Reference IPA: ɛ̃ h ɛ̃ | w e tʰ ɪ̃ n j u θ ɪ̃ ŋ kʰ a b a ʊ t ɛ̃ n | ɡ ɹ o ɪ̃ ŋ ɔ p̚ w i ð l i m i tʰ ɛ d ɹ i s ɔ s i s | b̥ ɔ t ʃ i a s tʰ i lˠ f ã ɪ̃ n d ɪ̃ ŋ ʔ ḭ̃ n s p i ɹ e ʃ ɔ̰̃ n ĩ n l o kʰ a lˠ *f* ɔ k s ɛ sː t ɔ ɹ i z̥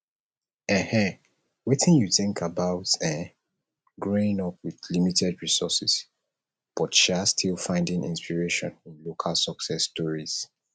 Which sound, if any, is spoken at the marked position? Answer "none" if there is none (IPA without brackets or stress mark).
s